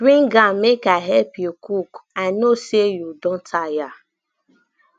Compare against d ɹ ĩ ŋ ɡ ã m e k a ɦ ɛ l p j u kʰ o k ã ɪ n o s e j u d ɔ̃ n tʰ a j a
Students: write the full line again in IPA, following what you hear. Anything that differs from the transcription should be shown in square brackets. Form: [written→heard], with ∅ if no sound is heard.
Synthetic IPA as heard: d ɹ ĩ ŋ ɡ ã m e k a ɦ ɛ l p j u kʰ [o→u] k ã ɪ n o s e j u d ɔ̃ n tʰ a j a